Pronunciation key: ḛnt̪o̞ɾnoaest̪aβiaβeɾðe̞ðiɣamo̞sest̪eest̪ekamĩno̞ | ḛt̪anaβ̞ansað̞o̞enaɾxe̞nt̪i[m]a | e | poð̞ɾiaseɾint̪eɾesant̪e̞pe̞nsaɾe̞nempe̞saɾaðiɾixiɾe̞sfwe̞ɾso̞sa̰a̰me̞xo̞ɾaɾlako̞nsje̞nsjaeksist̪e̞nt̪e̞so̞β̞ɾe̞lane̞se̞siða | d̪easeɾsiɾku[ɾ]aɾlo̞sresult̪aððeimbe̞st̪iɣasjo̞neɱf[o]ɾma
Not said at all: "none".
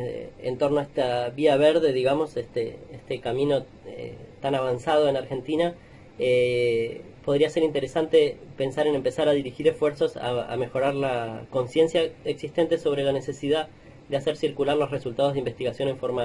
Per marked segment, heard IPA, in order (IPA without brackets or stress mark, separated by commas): n, l, o